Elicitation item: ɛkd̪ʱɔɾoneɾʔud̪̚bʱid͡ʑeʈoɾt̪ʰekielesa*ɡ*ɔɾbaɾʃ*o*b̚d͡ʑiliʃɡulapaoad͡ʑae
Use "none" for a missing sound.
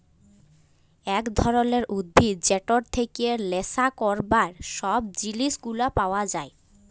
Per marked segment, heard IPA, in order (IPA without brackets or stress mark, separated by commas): k, ɔ